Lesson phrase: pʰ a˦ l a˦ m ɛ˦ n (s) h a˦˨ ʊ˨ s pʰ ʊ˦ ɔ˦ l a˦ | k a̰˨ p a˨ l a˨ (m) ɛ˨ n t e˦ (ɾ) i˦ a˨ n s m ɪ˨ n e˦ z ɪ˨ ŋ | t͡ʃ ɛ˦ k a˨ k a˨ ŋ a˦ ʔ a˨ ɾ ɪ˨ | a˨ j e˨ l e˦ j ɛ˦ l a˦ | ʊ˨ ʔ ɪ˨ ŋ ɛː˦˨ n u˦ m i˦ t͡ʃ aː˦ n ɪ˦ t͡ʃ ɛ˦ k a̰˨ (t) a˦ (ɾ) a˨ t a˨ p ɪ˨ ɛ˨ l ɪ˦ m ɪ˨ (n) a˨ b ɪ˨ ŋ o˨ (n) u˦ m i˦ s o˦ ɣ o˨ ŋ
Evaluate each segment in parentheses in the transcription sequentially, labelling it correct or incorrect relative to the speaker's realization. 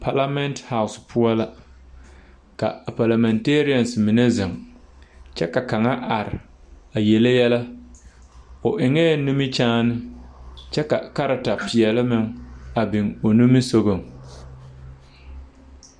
incorrect: t, correct, correct, incorrect: k, correct, incorrect: ŋ, correct

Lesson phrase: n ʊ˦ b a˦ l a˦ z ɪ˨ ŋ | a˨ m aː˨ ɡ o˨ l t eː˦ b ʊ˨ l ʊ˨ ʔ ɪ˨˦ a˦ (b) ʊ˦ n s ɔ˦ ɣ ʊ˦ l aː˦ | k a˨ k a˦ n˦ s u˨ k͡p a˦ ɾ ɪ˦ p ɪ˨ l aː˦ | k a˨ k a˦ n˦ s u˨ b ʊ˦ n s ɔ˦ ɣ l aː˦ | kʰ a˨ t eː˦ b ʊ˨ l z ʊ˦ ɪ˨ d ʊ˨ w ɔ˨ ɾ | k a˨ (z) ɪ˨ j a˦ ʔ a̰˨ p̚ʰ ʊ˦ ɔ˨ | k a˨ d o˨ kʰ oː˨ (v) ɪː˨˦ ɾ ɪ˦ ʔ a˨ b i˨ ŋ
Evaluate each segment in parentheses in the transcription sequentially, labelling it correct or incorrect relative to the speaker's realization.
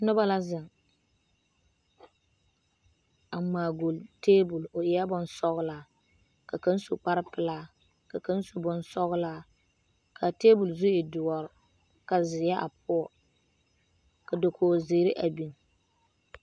correct, correct, incorrect: z

